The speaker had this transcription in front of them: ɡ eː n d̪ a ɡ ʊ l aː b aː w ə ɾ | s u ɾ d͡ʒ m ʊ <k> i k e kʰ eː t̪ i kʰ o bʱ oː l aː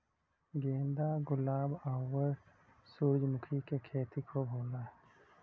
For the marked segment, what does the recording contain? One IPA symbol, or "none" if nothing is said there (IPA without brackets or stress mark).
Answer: kʰ